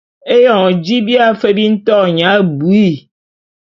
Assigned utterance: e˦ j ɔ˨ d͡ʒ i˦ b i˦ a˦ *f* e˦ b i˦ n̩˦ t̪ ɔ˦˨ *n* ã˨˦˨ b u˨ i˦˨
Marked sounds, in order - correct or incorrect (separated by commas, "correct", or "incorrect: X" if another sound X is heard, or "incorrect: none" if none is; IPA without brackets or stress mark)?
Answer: correct, incorrect: ɲ